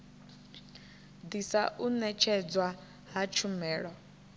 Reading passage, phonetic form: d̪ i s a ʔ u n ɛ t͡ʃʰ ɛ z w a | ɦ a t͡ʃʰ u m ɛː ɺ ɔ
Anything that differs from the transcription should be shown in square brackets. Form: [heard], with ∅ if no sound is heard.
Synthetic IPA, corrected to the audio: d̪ i s a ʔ u n ɛ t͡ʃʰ ɛ [d͡z] w a | ɦ a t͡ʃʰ u m ɛː ɺ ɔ